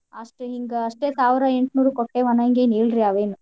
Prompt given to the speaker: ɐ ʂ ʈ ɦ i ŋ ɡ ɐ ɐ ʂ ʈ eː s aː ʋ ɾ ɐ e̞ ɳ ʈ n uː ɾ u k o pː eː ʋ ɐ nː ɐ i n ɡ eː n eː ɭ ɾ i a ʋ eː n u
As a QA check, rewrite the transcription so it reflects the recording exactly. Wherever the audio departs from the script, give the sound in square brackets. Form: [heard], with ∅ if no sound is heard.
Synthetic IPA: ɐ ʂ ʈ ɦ i ŋ ɡ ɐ ɐ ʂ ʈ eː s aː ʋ ɾ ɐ e̞ ɳ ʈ n uː ɾ u k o [ʈː] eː ʋ ɐ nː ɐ i [ŋ] ɡ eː n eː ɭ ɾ i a ʋ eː n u